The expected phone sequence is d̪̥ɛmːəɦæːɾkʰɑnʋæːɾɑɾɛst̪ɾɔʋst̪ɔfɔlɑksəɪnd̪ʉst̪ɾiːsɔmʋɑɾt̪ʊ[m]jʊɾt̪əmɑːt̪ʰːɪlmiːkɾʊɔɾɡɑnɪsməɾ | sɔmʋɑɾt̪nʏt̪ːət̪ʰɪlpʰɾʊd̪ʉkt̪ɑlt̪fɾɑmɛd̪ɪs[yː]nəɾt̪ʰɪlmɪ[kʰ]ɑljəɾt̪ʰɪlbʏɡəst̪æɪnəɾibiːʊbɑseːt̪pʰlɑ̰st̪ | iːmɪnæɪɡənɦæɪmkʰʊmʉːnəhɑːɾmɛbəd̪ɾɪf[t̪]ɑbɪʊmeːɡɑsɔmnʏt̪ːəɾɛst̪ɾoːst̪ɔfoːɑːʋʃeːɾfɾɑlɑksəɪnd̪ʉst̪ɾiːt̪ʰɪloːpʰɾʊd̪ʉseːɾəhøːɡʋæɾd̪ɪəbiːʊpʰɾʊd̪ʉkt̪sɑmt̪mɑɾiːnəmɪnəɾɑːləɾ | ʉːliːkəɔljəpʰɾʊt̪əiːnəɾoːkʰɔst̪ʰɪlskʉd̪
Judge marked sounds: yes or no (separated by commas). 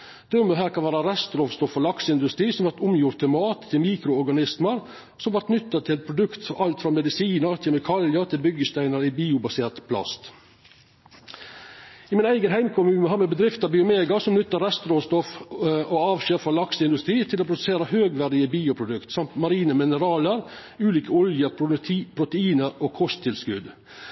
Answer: yes, no, yes, yes